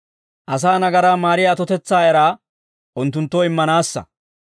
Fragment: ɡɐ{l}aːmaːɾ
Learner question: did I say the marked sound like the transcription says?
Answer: no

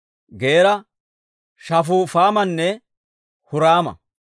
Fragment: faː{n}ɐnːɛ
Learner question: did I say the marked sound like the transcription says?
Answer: no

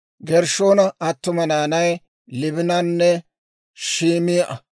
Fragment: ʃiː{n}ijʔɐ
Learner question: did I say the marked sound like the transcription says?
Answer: no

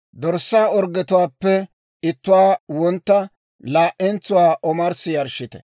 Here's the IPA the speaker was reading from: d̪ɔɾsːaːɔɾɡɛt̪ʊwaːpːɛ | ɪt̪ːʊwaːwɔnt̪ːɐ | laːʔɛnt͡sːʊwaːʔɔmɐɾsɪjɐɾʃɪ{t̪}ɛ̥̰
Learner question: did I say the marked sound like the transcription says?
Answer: yes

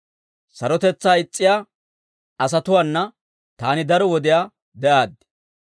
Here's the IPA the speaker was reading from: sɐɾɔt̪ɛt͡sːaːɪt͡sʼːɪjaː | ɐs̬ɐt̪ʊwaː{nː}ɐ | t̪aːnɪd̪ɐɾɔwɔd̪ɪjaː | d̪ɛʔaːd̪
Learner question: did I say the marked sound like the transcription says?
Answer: yes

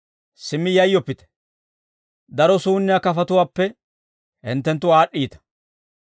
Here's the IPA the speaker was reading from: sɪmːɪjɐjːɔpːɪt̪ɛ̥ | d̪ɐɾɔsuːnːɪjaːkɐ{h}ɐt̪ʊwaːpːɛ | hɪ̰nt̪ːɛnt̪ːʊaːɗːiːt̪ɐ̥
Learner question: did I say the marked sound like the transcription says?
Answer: no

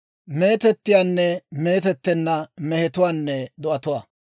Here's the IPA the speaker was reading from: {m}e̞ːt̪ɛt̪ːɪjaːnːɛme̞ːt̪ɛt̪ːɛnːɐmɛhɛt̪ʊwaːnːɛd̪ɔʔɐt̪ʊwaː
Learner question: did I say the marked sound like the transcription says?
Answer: yes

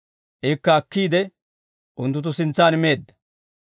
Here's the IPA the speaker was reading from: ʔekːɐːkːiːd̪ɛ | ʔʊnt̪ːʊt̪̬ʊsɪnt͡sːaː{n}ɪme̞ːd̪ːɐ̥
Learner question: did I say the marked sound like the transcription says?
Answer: yes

